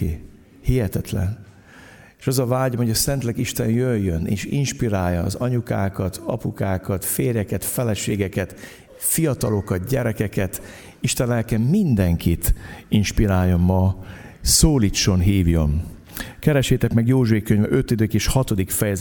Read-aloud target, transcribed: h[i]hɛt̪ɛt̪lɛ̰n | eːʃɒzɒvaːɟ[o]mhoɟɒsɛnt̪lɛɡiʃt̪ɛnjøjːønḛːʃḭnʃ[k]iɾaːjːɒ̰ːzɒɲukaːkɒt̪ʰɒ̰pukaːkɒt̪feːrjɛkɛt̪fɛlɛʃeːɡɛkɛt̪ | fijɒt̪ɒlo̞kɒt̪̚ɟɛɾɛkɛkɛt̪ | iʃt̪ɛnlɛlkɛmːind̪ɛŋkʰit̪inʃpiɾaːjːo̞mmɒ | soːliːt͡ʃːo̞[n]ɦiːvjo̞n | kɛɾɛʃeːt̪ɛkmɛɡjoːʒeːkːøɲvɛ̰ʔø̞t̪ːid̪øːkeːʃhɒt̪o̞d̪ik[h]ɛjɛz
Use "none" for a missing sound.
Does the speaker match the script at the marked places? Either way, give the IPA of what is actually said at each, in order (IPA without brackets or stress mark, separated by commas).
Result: i, o, p, n, f